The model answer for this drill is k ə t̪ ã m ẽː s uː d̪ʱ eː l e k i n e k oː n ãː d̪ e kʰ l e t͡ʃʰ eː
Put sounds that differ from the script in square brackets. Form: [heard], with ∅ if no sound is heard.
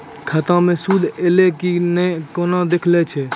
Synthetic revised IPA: [kʰ] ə t̪ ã m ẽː s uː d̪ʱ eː l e k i n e k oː n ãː d̪ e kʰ l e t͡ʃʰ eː

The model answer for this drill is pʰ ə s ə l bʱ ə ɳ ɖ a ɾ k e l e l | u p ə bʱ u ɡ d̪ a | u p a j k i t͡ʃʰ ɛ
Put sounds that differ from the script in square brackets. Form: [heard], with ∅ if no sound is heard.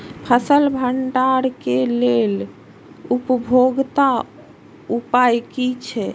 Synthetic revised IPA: pʰ ə s ə l bʱ ə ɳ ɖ a ɾ k e l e l | u p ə bʱ [o] ɡ [t̪] a | u p a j k i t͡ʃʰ ɛ

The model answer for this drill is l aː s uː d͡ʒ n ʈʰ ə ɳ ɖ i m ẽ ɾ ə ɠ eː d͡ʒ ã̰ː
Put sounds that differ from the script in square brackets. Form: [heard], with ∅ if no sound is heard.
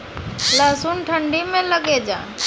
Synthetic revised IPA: l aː s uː [∅] n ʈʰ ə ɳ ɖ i m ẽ [l] ə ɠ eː d͡ʒ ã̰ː

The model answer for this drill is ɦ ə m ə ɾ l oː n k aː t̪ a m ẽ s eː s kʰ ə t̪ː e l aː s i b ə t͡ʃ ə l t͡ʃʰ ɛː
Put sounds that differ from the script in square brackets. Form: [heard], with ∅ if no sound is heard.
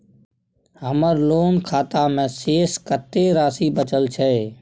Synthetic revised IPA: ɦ ə m ə ɾ l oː n [kʰ] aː t̪ a m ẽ s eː s [k] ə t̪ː e [ɾ] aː s i b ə t͡ʃ ə l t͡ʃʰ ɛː

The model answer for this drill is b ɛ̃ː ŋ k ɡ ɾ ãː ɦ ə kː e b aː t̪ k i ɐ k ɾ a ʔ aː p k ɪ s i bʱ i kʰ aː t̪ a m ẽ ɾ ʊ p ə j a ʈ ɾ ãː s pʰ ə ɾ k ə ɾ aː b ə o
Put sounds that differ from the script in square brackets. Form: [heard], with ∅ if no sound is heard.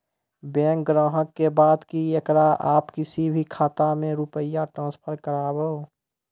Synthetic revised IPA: b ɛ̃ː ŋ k ɡ ɾ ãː ɦ ə kː e b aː [d̪] k i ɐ k ɾ a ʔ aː p k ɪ s i bʱ i kʰ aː t̪ a m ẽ ɾ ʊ p ə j a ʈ ɾ ãː s pʰ ə ɾ k ə ɾ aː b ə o

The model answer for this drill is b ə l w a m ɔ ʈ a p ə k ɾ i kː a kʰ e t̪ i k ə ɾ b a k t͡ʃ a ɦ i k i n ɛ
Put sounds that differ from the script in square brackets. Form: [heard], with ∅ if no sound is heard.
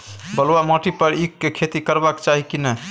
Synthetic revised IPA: b ə l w a m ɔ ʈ [i] p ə [∅] ɾ i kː [e] kʰ e t̪ i k ə ɾ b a k t͡ʃ a ɦ i k i n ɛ

